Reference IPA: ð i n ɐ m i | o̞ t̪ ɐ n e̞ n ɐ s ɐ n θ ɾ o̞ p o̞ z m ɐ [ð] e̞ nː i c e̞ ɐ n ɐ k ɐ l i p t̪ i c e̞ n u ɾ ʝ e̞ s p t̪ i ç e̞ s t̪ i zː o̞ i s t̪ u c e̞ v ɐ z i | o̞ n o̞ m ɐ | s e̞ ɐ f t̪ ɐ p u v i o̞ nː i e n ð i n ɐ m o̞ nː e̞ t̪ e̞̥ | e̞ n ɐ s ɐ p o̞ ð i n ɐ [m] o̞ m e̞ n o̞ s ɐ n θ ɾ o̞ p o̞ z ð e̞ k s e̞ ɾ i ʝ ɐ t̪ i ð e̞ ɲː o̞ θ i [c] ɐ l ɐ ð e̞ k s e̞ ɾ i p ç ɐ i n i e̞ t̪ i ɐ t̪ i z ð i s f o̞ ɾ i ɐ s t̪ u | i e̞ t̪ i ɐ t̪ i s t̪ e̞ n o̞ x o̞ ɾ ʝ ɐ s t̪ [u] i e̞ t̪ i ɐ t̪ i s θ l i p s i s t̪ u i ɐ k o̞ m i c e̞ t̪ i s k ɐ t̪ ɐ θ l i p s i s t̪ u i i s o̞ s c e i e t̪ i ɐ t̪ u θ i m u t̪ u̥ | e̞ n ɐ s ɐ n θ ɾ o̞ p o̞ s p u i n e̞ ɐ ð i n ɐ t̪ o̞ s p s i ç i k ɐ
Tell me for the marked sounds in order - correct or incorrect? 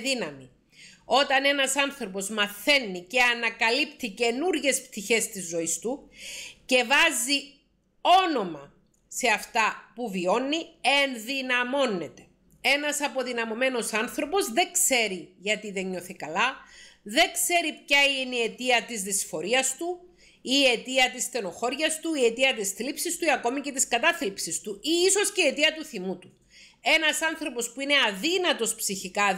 incorrect, correct, incorrect, correct

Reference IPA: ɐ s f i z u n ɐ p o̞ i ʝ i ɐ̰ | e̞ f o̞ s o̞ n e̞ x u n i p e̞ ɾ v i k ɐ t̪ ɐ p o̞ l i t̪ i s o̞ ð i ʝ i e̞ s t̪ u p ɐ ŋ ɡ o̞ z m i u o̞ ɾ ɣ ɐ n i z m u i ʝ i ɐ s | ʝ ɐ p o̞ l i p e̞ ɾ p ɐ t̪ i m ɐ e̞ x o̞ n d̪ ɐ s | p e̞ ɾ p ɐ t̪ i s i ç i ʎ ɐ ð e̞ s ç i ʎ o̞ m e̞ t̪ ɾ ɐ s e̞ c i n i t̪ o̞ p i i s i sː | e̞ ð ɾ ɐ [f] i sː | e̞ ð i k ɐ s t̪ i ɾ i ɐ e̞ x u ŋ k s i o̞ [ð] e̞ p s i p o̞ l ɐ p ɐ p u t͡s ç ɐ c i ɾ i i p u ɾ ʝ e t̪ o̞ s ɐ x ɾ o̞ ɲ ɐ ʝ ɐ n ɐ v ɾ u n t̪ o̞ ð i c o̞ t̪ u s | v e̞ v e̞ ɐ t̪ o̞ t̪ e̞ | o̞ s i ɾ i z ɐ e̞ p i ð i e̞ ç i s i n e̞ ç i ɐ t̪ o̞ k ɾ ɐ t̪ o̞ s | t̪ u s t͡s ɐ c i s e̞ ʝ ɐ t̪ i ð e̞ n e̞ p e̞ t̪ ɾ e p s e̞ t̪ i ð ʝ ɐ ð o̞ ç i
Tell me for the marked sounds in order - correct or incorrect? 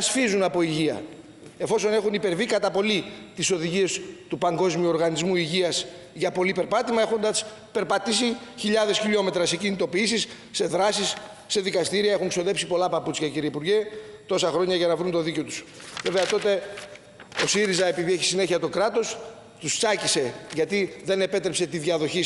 incorrect, correct

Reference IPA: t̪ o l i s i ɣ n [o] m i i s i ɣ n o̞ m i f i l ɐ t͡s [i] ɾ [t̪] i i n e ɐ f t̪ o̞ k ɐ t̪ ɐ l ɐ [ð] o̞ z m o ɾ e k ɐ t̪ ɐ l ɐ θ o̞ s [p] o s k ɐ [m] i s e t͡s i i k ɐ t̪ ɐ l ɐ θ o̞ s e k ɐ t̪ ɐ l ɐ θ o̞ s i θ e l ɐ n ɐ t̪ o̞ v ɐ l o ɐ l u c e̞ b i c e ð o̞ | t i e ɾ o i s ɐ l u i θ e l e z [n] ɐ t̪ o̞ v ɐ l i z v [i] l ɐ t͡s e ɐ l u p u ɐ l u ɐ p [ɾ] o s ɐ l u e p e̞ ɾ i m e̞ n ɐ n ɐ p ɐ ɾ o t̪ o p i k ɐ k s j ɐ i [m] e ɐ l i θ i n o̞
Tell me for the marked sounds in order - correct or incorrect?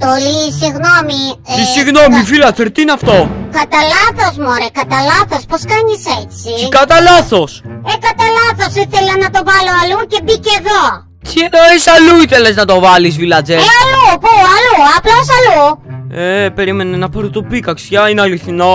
correct, incorrect, correct, incorrect, correct, incorrect, correct, correct, incorrect, incorrect

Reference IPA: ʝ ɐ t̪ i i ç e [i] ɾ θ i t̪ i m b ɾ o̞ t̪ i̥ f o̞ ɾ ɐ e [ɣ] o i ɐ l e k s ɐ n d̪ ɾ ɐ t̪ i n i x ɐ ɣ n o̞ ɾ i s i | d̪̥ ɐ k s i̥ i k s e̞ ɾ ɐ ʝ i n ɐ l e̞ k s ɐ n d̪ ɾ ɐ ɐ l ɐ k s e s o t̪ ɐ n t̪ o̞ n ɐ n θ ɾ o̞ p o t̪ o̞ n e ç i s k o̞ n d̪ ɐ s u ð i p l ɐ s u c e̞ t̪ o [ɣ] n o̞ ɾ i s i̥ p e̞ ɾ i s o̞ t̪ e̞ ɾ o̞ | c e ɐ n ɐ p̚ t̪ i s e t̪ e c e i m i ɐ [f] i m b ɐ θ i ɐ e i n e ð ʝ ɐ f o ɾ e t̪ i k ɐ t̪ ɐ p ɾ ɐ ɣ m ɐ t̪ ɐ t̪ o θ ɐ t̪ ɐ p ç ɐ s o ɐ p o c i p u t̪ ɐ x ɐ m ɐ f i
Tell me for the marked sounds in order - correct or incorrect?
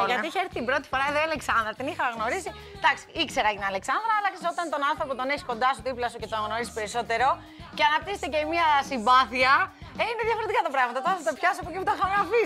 incorrect, incorrect, correct, incorrect

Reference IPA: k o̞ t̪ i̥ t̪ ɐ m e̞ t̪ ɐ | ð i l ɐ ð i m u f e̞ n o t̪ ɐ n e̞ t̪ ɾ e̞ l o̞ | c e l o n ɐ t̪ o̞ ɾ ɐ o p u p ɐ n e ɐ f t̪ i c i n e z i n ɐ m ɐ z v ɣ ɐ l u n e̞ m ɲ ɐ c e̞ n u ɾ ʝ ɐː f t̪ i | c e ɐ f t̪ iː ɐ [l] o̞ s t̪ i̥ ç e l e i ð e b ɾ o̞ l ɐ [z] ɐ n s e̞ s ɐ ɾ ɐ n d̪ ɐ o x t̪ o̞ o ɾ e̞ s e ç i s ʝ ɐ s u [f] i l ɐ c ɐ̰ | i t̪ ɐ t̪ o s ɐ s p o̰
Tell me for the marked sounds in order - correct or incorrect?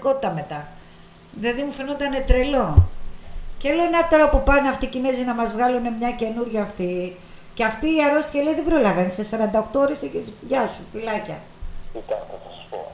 incorrect, incorrect, correct

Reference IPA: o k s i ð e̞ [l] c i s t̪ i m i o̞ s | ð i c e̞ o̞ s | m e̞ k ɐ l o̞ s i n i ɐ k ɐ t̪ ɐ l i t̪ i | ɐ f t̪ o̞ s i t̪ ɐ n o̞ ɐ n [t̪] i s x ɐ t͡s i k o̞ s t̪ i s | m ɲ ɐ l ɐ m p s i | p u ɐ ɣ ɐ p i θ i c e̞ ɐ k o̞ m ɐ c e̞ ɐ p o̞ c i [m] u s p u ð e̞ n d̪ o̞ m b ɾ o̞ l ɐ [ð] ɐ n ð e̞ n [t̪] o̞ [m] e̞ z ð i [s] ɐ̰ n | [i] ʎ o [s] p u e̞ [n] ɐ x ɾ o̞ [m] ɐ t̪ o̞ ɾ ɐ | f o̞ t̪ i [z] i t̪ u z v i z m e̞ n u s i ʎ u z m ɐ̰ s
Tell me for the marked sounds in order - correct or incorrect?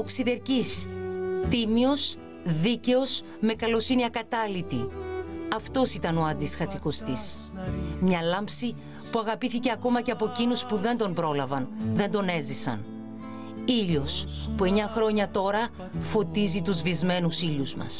incorrect, incorrect, incorrect, incorrect, incorrect, incorrect, correct, correct, correct, incorrect, incorrect, correct

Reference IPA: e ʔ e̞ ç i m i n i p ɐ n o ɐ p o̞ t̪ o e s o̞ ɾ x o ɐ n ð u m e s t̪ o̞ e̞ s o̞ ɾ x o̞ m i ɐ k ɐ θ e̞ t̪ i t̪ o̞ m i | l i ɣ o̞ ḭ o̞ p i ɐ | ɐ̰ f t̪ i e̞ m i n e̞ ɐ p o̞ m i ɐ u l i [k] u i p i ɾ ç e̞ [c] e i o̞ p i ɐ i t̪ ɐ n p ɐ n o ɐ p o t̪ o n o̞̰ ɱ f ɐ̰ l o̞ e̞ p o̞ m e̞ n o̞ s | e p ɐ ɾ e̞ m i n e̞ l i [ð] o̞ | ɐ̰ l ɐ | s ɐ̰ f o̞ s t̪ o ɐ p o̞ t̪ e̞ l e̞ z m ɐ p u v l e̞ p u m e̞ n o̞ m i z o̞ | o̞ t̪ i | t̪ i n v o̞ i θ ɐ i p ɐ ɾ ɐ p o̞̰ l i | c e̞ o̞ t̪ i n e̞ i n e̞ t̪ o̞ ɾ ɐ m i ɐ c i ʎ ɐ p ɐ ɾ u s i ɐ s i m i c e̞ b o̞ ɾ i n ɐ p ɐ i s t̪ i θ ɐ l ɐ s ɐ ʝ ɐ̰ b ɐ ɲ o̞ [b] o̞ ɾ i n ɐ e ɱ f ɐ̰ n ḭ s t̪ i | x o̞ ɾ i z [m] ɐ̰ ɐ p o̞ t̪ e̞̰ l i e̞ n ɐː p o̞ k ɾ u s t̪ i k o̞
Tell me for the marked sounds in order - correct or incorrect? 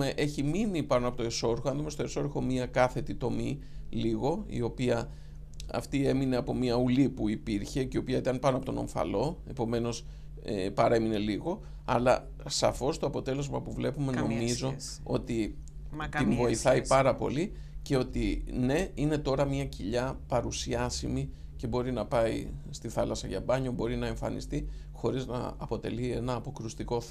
incorrect, correct, incorrect, correct, incorrect

